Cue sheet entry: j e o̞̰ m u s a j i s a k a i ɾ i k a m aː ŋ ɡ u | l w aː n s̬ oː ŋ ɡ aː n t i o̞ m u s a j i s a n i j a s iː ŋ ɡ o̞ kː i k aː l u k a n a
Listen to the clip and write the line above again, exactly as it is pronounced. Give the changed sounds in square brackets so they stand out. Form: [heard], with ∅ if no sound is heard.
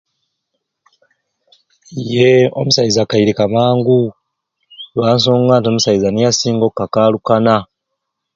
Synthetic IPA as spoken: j e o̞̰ m u s a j i [z] a k a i ɾ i k a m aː ŋ ɡ u | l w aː n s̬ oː ŋ ɡ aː n t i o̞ m u s a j i [z] a n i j a s iː ŋ ɡ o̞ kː [a] k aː l u k a n a